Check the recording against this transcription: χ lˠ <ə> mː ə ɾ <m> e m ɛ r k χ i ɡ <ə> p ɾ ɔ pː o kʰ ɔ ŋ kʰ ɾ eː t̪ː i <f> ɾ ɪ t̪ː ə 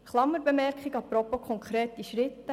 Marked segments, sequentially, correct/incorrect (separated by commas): incorrect, incorrect, incorrect, incorrect